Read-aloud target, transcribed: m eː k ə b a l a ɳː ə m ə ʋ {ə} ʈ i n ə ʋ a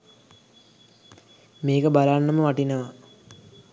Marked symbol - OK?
no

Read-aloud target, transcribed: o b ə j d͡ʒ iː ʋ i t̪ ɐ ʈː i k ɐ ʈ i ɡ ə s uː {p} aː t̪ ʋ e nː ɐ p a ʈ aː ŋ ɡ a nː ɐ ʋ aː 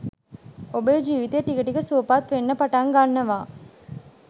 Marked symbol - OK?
yes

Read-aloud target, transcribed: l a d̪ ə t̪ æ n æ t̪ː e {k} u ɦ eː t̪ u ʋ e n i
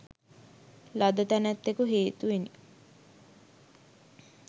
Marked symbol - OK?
yes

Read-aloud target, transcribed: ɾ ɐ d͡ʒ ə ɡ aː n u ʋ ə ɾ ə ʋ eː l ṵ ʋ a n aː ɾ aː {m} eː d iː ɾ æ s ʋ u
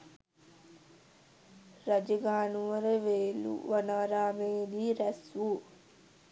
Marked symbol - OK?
yes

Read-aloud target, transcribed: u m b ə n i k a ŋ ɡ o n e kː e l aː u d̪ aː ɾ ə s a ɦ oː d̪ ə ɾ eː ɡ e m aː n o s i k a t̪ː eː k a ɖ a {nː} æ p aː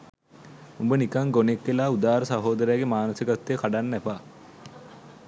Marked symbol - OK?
yes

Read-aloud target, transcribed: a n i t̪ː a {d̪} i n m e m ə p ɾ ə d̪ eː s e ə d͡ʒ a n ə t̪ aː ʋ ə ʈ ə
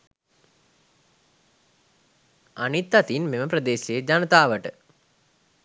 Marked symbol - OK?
no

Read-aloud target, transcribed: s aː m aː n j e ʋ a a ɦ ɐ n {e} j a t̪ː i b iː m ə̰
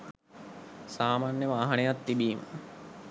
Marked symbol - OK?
yes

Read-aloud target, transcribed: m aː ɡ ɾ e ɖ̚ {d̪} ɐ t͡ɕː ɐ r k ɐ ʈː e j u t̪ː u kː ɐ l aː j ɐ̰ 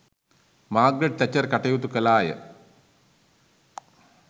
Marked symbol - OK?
no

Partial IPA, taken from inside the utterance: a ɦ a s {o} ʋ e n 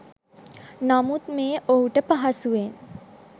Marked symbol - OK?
no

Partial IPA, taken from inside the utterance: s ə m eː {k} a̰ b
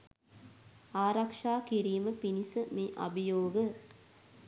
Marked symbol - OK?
no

